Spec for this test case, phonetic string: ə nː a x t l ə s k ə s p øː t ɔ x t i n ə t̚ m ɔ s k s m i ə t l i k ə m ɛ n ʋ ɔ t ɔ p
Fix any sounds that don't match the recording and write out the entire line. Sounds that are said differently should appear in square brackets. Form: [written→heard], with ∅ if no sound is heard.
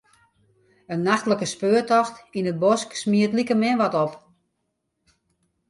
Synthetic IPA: ə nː a x t l ə [s→∅] k ə s p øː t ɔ x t i n ə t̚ [m→b] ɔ s k s m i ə t l i k ə m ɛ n ʋ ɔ t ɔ p